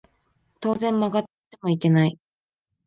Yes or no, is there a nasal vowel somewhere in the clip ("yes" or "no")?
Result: yes